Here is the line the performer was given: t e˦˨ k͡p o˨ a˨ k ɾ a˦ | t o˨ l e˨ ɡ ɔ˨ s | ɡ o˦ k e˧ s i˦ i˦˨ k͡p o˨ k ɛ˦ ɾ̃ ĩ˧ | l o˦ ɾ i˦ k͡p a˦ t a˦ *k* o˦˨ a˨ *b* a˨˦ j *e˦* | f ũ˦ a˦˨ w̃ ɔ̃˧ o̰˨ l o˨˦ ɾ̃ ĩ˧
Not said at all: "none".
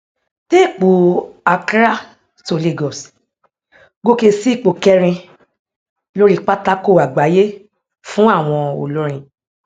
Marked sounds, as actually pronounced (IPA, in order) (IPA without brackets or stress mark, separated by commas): k, ɡ͡b, e˦